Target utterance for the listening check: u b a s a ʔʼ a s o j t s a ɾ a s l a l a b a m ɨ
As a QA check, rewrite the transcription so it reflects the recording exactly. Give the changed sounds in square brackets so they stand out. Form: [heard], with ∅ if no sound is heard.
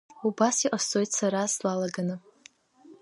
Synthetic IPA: u b a s [i] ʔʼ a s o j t s a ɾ a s l a l a [ɡ] a [n] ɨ